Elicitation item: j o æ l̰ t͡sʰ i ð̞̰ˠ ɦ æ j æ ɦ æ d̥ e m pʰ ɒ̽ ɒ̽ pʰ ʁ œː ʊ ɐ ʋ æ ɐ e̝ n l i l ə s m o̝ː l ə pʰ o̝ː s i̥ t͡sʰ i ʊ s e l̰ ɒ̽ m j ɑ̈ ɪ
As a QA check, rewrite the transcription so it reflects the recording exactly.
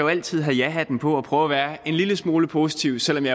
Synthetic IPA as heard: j o æ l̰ t͡sʰ i ð̞̰ˠ ɦ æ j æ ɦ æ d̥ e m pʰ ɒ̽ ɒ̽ pʰ ʁ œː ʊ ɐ ʋ æː ɐ e̝ n l i l ə s m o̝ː l ə pʰ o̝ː s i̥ t͡sʰ i ʊ s e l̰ ɒ̽ m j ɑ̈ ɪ